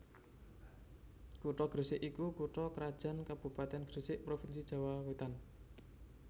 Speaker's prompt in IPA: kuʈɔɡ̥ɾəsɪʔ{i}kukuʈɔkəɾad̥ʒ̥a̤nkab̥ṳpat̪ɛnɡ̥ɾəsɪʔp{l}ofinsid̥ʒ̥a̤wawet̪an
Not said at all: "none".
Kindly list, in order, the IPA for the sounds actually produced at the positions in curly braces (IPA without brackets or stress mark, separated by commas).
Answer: i, ɾ